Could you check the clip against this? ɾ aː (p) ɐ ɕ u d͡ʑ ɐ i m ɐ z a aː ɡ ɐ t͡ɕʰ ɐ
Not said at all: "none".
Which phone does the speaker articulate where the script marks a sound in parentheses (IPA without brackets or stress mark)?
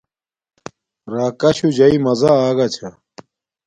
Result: k